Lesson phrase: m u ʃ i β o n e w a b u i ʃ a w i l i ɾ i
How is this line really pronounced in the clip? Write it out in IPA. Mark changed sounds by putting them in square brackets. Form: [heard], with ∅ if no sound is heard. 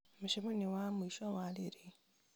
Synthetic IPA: m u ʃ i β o n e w a [m] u i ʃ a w [a] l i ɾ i